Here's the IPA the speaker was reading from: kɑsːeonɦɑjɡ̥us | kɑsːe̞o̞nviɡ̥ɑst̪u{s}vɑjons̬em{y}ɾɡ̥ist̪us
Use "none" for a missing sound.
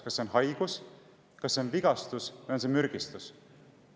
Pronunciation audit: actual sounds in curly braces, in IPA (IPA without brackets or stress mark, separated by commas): s, y